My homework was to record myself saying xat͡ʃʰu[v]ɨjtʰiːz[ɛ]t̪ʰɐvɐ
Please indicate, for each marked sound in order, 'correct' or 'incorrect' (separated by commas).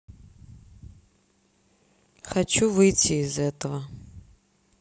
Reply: correct, correct